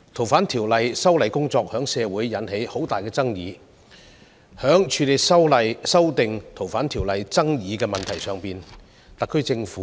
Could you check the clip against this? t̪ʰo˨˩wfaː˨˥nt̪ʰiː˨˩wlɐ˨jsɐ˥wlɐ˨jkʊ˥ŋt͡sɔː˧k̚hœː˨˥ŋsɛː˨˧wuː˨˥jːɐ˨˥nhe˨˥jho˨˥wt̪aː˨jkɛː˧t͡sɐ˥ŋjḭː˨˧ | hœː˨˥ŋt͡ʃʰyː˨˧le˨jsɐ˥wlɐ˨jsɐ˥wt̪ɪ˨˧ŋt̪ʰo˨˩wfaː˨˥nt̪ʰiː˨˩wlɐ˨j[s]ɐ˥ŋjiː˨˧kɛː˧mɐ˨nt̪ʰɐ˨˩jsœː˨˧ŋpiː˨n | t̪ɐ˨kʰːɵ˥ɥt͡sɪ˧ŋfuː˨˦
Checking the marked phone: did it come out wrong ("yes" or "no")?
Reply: yes